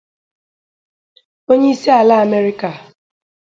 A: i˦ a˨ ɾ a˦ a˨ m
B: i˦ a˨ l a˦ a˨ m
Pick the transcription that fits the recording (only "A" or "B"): B